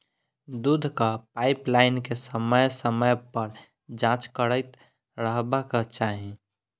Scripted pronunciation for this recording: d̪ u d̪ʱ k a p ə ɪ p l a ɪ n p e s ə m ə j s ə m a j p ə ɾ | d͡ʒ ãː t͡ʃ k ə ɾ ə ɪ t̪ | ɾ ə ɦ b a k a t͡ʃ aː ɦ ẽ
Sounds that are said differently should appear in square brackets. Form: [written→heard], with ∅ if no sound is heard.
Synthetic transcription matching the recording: d̪ u d̪ʱ k a p [ə→a] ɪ p l a ɪ n [p→k] e s ə m ə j s ə m [a→ə] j p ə ɾ | d͡ʒ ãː t͡ʃ k ə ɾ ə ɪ t̪ | ɾ ə ɦ b a k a t͡ʃ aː ɦ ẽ